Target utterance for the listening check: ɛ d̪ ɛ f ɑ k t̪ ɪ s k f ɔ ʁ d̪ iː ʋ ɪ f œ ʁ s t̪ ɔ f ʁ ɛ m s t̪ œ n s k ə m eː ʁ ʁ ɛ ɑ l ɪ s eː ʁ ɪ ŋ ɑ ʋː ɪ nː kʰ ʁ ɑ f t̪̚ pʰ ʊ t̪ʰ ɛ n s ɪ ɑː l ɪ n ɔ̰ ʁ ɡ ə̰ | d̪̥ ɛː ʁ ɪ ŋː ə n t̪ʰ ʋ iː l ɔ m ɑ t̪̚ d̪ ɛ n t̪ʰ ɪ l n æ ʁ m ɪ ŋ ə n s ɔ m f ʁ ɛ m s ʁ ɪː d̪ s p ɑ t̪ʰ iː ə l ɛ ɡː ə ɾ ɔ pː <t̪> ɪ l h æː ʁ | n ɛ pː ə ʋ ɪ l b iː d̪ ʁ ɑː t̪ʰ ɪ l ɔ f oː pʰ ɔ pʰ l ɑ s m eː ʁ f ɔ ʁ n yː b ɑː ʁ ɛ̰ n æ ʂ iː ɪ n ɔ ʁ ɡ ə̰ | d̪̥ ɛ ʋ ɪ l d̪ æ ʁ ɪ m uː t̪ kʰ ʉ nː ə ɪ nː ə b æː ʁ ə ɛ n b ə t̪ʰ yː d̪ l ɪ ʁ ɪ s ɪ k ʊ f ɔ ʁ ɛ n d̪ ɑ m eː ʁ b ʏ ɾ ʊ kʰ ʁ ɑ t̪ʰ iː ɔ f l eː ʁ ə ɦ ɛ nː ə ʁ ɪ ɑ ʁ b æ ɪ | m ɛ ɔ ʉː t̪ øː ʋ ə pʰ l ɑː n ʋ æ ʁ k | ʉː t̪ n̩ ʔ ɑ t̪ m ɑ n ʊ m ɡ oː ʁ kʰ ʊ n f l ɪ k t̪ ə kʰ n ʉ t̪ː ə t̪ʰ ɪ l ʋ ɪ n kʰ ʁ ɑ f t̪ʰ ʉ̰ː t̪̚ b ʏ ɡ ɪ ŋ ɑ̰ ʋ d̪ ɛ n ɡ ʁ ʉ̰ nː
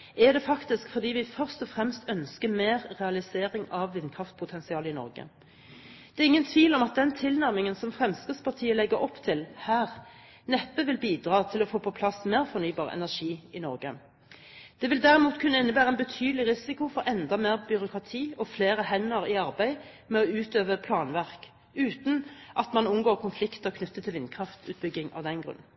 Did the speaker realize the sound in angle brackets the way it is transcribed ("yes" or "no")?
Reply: no